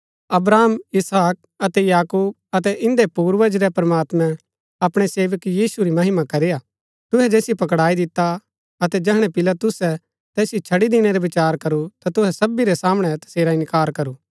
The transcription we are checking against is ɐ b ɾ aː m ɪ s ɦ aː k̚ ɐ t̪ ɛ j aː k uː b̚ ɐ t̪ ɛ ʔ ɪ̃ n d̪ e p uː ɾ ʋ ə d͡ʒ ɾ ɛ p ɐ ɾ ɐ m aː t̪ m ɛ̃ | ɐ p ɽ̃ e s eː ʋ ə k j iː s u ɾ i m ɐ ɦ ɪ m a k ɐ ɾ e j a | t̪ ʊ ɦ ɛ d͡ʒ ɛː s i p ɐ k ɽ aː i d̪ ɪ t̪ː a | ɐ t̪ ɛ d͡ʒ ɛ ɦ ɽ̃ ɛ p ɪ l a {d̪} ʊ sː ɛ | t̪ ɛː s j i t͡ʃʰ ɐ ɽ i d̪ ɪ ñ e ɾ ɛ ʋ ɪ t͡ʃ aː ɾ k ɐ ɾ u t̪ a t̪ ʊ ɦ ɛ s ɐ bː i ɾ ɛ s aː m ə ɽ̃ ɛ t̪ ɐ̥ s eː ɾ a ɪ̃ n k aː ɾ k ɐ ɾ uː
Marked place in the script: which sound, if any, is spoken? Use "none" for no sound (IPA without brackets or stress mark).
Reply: t̪